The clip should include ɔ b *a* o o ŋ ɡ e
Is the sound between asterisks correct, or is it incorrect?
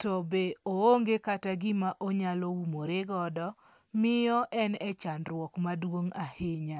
incorrect